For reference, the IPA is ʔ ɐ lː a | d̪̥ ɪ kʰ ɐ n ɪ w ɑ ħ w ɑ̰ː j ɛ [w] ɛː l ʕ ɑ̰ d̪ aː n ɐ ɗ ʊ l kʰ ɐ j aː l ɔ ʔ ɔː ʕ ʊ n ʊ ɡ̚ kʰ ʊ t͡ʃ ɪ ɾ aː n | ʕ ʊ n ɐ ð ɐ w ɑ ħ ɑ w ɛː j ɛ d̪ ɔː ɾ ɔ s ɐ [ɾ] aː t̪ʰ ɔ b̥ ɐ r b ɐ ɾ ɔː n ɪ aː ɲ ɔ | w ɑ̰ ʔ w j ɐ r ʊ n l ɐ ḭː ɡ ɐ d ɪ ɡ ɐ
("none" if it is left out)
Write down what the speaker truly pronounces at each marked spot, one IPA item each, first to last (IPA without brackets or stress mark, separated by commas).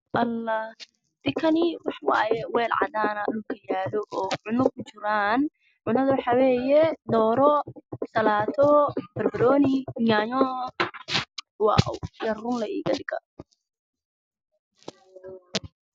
w, l